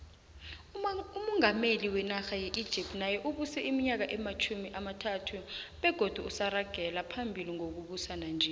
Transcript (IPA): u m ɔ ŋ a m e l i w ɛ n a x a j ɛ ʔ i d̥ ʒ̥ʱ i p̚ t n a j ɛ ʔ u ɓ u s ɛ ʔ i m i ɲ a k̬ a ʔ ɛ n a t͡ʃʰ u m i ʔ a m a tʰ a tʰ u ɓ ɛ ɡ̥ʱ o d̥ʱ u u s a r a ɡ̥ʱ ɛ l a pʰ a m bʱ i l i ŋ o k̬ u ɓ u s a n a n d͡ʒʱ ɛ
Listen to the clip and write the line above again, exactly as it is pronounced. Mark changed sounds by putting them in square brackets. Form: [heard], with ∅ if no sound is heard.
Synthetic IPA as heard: u m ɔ ŋ a m e l i w ɛ n a x a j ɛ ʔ i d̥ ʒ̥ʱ i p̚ t n a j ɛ ʔ u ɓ u s ɛ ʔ i m i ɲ a k̬ a ʔ ɛ [m] a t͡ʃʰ u m i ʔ a m a tʰ a tʰ u ɓ ɛ ɡ̥ʱ o d̥ʱ u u s a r a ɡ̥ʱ ɛ l a pʰ a m bʱ i l i ŋ o k̬ u ɓ u s a n a n d͡ʒʱ ɛ